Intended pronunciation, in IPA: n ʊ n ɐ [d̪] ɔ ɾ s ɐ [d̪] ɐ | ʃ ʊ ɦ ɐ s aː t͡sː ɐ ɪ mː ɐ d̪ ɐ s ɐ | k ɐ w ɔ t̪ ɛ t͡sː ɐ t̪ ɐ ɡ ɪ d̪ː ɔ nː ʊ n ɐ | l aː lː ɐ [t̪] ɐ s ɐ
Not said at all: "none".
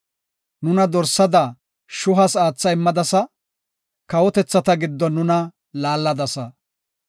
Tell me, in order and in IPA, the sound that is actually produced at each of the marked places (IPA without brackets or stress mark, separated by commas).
d̪, d̪, d̪